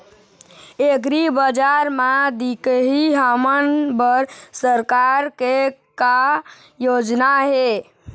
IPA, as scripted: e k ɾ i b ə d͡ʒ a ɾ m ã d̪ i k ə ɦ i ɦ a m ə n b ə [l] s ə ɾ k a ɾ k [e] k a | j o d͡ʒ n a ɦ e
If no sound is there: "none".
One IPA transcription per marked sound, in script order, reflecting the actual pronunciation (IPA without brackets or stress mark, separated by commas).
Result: ɾ, e